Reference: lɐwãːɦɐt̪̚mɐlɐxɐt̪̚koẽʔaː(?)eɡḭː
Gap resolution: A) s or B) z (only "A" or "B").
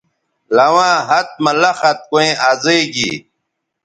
B